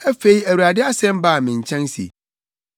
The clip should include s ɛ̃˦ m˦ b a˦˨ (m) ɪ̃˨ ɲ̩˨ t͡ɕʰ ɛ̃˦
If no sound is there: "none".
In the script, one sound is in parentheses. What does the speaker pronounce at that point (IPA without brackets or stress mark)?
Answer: m